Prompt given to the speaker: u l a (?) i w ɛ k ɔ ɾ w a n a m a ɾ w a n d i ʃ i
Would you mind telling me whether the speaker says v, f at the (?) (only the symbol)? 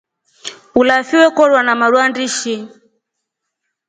f